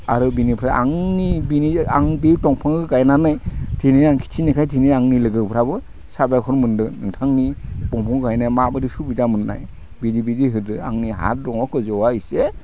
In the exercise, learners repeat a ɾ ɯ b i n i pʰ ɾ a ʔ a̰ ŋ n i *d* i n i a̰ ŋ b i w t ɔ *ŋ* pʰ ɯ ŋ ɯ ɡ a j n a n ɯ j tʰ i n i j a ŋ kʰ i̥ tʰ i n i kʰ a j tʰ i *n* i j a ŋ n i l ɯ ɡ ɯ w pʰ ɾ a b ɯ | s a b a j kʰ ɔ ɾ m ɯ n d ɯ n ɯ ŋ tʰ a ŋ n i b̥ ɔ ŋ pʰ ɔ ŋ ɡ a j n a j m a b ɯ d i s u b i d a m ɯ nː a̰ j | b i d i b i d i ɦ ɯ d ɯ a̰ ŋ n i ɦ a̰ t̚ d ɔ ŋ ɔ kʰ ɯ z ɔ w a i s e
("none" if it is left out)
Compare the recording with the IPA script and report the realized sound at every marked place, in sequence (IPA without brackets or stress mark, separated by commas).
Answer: b, ŋ, n